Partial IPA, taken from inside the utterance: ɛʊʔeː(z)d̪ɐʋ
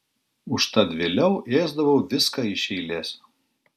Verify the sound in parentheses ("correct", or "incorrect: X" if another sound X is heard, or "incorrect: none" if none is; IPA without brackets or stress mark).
correct